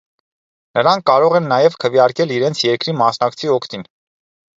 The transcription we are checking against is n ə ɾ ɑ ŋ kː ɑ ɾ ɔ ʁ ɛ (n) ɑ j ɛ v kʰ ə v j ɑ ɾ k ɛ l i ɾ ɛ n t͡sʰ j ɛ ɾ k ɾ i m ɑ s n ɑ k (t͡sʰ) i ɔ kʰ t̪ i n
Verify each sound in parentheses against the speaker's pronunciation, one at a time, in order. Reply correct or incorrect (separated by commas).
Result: incorrect, correct